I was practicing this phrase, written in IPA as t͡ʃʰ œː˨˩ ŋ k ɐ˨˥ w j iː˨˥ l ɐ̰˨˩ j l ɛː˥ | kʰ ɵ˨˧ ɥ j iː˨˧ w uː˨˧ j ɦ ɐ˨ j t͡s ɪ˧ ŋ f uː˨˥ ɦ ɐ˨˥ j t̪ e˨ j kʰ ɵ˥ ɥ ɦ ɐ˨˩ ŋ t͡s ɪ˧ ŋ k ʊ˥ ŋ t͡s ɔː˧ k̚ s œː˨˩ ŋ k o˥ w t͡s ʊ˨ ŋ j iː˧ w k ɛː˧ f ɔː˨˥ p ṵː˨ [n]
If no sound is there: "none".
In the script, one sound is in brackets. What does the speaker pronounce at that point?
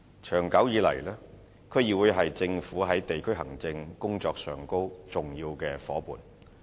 n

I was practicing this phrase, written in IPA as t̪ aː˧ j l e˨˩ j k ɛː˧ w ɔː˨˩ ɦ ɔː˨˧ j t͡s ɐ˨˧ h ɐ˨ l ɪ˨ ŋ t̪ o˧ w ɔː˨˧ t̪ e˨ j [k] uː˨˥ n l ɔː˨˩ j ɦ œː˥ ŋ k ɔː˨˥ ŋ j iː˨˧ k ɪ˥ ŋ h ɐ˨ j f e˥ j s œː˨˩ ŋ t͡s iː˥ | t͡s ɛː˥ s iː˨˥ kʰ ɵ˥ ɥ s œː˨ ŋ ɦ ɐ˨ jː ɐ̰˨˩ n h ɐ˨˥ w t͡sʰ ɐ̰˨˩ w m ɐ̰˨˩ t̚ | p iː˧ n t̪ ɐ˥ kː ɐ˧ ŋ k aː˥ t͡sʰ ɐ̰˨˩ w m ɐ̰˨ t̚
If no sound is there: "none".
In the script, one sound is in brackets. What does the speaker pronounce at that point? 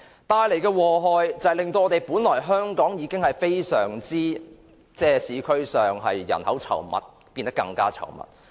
p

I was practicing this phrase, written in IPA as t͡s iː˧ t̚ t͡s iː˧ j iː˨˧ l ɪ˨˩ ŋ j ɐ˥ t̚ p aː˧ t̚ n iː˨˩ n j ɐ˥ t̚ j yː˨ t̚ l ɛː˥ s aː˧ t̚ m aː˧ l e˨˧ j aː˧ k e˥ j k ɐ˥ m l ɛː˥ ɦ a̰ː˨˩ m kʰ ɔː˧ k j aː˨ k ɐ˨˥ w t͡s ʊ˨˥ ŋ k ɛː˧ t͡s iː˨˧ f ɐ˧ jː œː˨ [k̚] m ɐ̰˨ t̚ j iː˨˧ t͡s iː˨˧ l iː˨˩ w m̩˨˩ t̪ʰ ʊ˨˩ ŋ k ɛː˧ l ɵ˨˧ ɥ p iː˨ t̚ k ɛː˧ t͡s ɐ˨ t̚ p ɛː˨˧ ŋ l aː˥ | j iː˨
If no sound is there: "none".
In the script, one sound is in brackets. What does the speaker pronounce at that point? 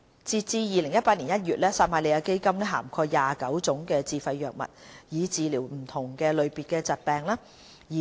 k̚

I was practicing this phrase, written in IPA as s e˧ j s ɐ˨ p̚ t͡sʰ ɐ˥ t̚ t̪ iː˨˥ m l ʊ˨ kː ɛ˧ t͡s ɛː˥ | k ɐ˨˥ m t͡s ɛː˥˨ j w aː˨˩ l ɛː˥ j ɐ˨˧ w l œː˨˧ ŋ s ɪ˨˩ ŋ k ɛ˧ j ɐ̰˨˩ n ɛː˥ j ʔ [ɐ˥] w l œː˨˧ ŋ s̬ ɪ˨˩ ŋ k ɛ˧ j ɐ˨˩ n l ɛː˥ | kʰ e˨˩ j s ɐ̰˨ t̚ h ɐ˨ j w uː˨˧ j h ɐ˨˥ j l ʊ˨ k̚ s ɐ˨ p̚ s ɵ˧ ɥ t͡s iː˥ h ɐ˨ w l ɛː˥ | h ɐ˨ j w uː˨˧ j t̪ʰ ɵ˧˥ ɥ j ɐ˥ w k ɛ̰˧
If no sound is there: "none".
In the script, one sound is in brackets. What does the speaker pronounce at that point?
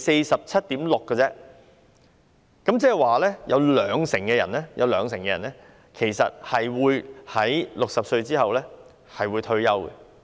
ɐ˨˧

